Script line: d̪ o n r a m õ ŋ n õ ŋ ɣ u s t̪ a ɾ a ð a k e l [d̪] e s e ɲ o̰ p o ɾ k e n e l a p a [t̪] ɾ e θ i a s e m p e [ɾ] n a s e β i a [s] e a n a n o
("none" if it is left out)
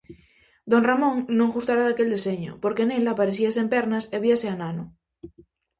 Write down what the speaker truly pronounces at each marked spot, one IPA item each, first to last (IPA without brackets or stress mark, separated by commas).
d̪, none, ɾ, s